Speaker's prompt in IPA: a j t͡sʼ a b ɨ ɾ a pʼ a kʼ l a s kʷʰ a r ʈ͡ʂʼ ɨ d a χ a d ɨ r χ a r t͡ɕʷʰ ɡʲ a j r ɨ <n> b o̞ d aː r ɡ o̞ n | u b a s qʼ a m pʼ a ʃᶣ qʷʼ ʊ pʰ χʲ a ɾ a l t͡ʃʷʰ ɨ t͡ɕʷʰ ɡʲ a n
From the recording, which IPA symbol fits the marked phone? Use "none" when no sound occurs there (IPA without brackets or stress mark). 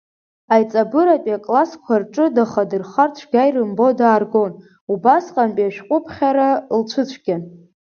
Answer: m